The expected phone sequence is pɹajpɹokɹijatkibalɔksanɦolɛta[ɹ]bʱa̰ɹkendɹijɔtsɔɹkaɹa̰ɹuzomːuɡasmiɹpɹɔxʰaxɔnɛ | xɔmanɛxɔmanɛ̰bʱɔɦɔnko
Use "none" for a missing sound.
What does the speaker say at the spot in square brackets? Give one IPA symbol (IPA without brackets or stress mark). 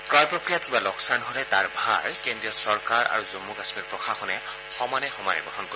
ɹ